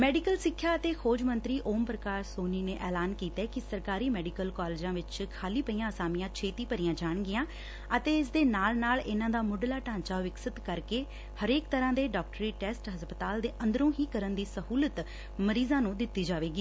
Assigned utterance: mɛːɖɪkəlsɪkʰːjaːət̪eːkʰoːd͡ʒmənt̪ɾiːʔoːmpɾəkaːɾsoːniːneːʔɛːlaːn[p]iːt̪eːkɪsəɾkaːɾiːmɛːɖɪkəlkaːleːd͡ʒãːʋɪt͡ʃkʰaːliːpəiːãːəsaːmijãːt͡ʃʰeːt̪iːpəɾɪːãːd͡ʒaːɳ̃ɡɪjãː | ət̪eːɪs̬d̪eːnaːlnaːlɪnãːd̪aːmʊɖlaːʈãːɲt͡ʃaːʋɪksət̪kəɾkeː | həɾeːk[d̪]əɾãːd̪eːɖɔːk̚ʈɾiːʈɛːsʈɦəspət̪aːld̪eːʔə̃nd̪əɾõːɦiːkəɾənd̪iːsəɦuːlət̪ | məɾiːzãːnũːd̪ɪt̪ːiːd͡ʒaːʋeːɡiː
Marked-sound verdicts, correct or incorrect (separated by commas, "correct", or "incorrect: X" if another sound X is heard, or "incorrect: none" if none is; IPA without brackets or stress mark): incorrect: k, incorrect: t̪